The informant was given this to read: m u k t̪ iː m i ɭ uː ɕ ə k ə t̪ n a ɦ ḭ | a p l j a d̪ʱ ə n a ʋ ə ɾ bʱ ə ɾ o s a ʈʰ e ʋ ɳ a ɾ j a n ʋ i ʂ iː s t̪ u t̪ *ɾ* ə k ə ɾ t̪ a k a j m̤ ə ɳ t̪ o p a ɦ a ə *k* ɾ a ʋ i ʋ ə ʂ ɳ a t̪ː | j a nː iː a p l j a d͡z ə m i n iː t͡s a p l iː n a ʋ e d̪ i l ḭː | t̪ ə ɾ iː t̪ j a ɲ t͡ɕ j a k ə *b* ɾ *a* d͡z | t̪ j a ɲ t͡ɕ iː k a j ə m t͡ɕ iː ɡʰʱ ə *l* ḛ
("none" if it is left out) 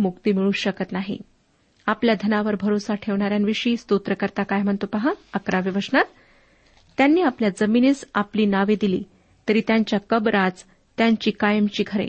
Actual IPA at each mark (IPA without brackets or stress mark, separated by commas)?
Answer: ɾ, k, b, a, ɾ